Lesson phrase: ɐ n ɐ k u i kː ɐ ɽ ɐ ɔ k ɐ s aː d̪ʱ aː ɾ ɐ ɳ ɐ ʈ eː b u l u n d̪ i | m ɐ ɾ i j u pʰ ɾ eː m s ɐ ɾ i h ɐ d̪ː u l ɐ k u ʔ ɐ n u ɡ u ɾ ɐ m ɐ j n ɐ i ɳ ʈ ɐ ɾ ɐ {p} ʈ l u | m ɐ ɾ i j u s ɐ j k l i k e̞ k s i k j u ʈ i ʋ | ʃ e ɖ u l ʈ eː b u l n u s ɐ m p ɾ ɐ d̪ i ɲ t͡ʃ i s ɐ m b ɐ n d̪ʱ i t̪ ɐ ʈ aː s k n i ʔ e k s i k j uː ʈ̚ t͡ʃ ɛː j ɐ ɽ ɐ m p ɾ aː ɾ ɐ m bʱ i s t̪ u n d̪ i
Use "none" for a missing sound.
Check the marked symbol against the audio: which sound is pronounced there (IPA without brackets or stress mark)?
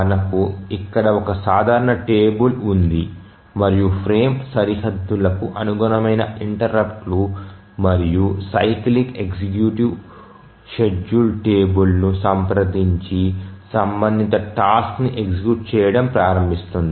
p